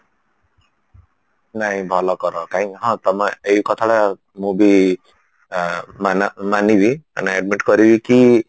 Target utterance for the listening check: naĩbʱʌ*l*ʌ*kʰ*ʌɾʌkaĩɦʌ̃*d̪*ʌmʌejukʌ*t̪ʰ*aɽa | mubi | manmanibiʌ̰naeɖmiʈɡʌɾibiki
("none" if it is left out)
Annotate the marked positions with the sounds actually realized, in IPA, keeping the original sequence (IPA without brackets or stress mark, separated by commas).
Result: l, k, t̪, t̪ʰ